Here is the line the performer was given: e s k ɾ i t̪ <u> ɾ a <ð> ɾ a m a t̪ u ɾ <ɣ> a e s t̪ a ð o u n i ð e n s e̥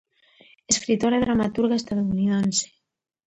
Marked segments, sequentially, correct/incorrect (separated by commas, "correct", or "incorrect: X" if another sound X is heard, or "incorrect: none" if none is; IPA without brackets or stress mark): incorrect: o, correct, correct